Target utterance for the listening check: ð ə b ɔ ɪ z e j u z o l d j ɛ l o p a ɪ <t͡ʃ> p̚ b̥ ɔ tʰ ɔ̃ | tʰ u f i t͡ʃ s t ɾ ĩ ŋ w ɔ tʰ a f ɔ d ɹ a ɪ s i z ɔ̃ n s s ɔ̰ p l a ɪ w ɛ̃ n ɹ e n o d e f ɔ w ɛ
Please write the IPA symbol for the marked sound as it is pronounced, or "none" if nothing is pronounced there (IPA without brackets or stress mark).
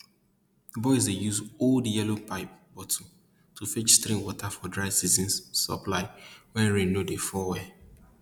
none